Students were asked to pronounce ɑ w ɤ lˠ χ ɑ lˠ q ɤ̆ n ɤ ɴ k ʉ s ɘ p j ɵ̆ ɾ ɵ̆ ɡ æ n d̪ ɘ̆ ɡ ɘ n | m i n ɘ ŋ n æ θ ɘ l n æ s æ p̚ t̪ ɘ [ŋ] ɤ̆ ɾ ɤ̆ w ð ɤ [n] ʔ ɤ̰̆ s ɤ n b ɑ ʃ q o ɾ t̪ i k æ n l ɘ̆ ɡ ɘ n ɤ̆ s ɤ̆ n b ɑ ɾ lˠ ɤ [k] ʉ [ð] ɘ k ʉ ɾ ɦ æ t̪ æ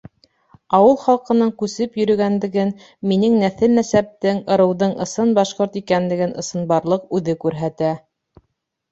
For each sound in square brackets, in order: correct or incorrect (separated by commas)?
correct, incorrect, incorrect, correct